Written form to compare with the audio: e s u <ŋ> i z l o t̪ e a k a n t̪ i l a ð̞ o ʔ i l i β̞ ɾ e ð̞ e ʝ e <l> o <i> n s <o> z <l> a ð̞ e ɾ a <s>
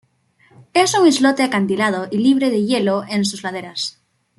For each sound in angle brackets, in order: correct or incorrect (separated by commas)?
correct, correct, incorrect, incorrect, correct, correct